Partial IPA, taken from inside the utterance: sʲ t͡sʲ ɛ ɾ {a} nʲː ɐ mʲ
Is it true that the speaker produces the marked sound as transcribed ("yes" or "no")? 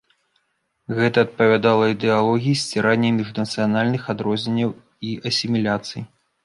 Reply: yes